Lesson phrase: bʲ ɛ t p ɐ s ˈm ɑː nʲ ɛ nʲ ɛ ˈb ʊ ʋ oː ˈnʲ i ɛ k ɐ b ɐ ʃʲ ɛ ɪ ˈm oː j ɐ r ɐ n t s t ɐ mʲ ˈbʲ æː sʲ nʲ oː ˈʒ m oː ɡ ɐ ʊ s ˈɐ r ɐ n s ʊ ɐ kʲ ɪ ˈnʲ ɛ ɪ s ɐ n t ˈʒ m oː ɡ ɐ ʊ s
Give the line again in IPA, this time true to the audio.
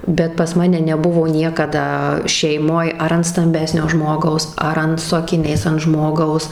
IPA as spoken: bʲ ɛ t p ɐ s ˈm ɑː nʲ ɛ nʲ ɛ ˈb ʊ ʋ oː ˈnʲ i ɛ k ɐ d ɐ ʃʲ ɛ ɪ ˈm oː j ɐ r ɐ n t s t ɐ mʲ ˈbʲ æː sʲ nʲ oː ˈʒ m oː ɡ ɐ ʊ s ˈɐ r ɐ n s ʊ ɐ kʲ ɪ ˈnʲ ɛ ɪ s ɐ n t ˈʒ m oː ɡ ɐ ʊ s